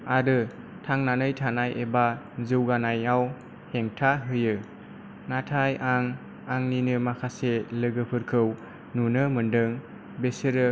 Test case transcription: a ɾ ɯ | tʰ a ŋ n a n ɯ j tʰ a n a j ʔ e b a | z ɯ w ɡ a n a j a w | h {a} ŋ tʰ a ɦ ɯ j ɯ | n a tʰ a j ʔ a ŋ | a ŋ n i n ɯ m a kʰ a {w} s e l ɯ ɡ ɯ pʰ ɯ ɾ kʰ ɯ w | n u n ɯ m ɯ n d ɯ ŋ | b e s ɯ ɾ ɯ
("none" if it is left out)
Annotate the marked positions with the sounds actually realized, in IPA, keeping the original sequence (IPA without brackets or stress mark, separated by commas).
e, none